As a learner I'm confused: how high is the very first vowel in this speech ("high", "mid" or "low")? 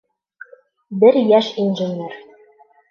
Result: mid